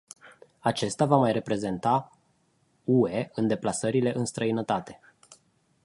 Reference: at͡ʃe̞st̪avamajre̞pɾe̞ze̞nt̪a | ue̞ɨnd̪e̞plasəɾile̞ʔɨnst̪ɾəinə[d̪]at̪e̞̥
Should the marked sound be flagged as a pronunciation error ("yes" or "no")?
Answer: yes